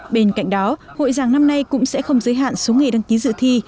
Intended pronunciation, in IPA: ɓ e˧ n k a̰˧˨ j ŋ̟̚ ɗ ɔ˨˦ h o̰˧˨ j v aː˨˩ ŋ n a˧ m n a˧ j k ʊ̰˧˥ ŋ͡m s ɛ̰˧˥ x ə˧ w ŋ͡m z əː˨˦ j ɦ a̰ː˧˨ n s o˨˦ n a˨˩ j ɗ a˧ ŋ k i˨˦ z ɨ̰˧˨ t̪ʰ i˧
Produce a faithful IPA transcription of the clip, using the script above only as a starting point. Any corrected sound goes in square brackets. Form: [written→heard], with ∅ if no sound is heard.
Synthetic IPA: ɓ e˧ n k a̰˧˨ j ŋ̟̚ ɗ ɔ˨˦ h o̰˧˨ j [v→z] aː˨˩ ŋ n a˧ m n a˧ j k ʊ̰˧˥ ŋ͡m s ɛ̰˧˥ x ə˧ w ŋ͡m z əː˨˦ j ɦ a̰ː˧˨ n s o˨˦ [n→ŋ] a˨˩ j ɗ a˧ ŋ k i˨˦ z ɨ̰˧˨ t̪ʰ i˧

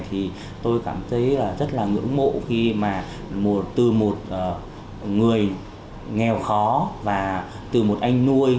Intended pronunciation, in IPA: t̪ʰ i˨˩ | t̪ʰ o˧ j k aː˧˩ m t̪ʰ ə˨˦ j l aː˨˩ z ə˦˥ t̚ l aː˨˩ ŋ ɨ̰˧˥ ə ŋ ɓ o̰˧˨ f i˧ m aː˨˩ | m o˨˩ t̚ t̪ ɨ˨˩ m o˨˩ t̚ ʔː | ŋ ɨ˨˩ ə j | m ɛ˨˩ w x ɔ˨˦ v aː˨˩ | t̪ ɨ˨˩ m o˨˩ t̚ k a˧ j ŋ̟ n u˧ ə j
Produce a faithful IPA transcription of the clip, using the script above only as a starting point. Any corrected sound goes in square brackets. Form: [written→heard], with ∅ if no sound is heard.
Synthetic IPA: t̪ʰ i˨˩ | [t̪ʰ→t̪] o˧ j k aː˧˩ m t̪ʰ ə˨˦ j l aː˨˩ z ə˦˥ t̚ l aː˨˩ ŋ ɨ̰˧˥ ə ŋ ɓ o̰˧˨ [f→x] i˧ m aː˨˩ | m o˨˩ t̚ t̪ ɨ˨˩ m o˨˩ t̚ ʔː | ŋ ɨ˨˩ ə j | [m→ŋ] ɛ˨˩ w x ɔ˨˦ v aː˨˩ | t̪ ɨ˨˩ m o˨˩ t̚ [k→ʔ] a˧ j ŋ̟ n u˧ ə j

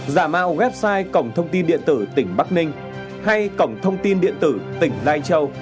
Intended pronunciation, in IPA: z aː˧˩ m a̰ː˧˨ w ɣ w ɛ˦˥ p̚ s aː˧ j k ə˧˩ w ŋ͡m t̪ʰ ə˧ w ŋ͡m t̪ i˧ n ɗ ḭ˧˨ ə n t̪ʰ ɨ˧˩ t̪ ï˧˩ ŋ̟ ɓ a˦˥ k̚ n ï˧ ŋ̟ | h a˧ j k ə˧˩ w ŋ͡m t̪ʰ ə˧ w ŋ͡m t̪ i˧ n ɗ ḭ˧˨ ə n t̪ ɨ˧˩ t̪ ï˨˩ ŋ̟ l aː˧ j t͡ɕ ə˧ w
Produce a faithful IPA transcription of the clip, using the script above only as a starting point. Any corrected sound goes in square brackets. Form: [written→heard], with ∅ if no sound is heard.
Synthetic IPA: z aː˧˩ m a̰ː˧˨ w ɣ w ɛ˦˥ p̚ s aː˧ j k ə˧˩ w ŋ͡m t̪ʰ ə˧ w ŋ͡m t̪ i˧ n ɗ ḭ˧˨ ə n [t̪ʰ→t̪] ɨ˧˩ t̪ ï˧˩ ŋ̟ ɓ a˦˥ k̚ n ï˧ ŋ̟ | h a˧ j k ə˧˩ w ŋ͡m t̪ʰ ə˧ w ŋ͡m t̪ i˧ n ɗ ḭ˧˨ ə n t̪ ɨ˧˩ t̪ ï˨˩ ŋ̟ l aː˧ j t͡ɕ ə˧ w

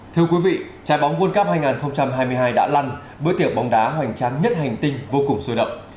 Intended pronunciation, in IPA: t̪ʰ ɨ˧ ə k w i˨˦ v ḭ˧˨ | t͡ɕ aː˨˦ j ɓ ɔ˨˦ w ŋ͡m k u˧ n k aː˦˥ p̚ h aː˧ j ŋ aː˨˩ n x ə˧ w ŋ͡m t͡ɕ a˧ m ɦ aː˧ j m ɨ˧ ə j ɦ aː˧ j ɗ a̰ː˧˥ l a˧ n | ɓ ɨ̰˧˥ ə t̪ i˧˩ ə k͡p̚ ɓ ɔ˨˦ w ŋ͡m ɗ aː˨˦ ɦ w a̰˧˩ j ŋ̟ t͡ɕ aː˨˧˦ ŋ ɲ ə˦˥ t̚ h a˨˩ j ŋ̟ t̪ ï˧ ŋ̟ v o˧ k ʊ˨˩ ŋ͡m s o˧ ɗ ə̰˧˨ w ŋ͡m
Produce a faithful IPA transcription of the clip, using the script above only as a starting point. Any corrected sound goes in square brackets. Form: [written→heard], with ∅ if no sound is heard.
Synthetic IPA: t̪ʰ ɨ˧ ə k w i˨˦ v ḭ˧˨ | t͡ɕ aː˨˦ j ɓ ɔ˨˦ w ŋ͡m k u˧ n k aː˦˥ p̚ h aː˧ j ŋ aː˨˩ n x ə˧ w ŋ͡m t͡ɕ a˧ m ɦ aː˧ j m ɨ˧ ə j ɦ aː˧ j ɗ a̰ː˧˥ l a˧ n | ɓ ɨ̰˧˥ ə t̪ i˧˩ ə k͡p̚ ɓ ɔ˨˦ w ŋ͡m ɗ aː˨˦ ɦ w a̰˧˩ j ŋ̟ t͡ɕ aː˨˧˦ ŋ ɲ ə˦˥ t̚ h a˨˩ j ŋ̟ t̪ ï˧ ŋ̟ v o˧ k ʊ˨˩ ŋ͡m s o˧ ɗ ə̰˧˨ w ŋ͡m

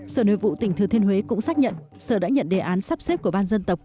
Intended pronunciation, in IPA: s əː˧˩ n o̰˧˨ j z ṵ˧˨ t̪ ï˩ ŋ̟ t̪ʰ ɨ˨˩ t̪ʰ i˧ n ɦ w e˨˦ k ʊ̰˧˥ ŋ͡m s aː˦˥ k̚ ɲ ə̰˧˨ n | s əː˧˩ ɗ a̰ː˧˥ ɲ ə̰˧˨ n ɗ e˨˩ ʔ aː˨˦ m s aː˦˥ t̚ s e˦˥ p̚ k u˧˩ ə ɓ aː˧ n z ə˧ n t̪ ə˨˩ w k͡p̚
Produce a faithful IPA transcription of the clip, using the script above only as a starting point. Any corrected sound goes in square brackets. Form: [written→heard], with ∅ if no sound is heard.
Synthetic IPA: s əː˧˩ n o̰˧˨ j [z→v] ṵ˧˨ t̪ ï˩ ŋ̟ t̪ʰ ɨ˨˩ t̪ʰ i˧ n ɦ w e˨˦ k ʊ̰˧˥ ŋ͡m s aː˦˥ k̚ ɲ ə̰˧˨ n | s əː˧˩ ɗ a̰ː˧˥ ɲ ə̰˧˨ n ɗ e˨˩ ʔ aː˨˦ [m→n] s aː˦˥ [t̚→p̚] s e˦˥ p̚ k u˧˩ ə ɓ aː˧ n z ə˧ n t̪ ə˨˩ w k͡p̚

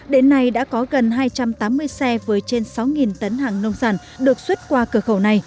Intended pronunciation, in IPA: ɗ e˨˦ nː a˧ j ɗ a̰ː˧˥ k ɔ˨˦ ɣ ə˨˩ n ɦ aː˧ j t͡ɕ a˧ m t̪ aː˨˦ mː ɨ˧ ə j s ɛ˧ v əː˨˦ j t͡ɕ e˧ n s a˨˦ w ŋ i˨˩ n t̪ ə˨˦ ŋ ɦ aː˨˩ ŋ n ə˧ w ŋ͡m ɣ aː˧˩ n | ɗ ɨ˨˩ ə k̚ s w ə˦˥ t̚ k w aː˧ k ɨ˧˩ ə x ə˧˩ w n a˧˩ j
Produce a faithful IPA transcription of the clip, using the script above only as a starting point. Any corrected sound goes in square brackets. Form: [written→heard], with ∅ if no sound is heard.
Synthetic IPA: ɗ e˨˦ nː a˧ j ɗ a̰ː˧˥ k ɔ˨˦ ɣ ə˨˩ n ɦ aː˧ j t͡ɕ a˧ m t̪ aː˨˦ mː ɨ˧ ə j s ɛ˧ v əː˨˦ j t͡ɕ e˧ n s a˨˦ w ŋ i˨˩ n t̪ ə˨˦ [ŋ→n] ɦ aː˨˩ ŋ n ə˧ w ŋ͡m [ɣ→z] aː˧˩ n | ɗ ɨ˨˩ ə k̚ s w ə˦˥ t̚ k w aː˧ k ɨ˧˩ ə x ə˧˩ w n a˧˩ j

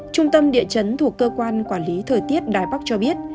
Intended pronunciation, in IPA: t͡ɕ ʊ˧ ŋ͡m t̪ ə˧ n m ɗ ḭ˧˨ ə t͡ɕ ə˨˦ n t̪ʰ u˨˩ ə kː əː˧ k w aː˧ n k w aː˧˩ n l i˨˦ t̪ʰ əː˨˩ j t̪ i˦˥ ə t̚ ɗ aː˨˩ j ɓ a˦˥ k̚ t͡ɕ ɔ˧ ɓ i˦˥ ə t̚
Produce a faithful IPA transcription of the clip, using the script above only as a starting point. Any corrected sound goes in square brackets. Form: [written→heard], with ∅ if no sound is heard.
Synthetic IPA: t͡ɕ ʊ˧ ŋ͡m t̪ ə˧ [n→∅] m ɗ ḭ˧˨ ə t͡ɕ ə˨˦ n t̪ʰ u˨˩ ə kː əː˧ k w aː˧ n k w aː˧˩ n l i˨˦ t̪ʰ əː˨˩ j t̪ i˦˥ ə t̚ ɗ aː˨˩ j ɓ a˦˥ k̚ t͡ɕ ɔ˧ ɓ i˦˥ ə t̚

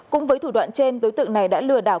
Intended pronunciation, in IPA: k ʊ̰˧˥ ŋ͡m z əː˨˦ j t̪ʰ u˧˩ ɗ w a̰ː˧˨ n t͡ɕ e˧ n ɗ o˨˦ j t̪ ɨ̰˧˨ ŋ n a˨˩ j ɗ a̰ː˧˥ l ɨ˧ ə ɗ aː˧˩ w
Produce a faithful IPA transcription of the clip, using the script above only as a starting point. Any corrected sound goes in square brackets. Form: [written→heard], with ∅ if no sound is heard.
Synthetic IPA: k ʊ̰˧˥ ŋ͡m [z→v] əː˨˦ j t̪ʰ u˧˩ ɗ w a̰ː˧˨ n t͡ɕ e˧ n ɗ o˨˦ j t̪ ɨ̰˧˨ ŋ n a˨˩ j ɗ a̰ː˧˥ l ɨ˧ ə ɗ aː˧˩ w

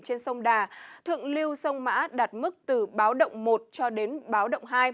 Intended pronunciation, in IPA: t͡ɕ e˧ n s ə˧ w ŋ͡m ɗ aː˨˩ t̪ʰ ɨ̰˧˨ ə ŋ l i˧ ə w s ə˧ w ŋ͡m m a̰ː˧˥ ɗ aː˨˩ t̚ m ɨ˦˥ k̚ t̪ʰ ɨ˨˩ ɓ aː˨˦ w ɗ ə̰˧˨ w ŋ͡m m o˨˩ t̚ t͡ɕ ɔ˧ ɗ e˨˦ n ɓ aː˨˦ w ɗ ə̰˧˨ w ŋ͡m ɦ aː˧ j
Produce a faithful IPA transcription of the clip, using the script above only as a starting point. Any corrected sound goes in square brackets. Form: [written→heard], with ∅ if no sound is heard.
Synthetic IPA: t͡ɕ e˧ n s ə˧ w ŋ͡m ɗ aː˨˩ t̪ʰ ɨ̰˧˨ ə ŋ l i˧ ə w s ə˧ w ŋ͡m m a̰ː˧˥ ɗ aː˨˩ t̚ m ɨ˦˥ k̚ [t̪ʰ→t̪] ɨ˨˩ ɓ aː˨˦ w ɗ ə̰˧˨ w ŋ͡m m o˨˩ t̚ t͡ɕ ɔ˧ ɗ e˨˦ n ɓ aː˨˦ w ɗ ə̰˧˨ w ŋ͡m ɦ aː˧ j

